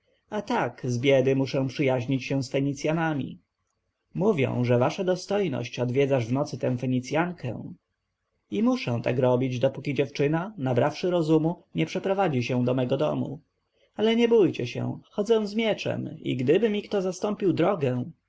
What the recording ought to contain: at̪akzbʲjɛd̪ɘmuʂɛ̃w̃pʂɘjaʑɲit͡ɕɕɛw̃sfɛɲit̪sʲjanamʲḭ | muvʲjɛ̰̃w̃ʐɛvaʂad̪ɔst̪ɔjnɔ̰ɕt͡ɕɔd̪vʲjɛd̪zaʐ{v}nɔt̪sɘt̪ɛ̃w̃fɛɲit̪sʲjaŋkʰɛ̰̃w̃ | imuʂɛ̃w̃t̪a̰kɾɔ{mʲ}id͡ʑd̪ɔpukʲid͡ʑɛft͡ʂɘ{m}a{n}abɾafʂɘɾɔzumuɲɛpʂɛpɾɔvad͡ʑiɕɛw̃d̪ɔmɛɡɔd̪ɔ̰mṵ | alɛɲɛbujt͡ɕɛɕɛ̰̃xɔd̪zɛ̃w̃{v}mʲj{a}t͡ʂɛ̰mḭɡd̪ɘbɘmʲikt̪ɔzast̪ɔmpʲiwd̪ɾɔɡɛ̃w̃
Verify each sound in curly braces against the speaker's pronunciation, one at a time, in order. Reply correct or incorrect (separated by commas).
correct, incorrect, incorrect, correct, incorrect, incorrect